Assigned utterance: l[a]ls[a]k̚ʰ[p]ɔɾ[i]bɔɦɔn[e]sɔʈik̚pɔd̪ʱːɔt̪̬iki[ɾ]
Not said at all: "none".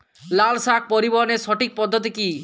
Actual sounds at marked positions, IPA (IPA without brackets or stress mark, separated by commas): a, a, p, i, e, none